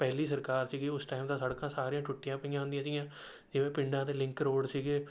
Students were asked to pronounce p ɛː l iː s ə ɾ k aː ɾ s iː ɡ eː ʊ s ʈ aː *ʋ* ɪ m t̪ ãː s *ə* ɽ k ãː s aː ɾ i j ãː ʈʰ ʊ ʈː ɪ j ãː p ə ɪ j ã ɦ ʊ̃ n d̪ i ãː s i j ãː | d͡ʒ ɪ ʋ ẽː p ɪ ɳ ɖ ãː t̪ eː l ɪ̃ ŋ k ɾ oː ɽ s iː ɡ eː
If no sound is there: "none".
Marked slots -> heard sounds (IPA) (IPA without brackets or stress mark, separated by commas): none, ə